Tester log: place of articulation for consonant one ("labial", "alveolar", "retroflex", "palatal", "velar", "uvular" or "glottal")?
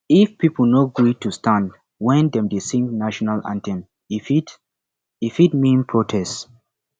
labial